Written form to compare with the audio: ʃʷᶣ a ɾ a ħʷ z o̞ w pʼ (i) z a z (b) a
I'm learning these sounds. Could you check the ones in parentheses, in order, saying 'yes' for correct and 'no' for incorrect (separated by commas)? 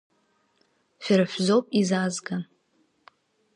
yes, no